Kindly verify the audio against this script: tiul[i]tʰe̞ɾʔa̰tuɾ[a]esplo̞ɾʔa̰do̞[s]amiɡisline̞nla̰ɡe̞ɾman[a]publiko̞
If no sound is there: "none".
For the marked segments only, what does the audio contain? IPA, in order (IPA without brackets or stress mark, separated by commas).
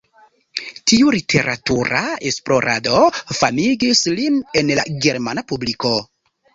i, a, f, a